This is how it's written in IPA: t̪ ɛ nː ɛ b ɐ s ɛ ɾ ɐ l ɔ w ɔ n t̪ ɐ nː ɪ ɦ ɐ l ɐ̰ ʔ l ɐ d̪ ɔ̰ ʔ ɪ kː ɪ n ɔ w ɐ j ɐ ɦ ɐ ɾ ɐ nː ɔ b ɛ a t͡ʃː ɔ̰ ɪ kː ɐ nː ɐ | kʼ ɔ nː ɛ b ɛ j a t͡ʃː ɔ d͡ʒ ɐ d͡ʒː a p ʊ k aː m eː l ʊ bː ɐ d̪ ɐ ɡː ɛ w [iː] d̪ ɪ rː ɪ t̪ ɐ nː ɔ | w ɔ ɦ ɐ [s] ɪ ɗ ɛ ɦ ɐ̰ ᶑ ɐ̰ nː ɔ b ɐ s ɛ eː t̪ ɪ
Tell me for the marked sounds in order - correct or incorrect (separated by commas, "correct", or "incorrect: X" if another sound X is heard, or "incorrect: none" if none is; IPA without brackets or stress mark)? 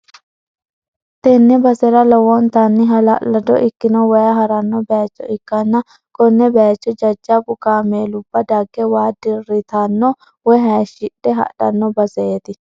incorrect: aː, incorrect: ʃ